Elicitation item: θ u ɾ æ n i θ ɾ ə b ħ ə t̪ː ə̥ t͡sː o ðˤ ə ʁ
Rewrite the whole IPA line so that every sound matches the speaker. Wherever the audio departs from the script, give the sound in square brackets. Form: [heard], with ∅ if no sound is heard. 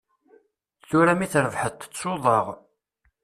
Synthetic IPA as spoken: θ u ɾ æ [m] i θ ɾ ə [v] ħ ə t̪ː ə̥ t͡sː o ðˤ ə ʁ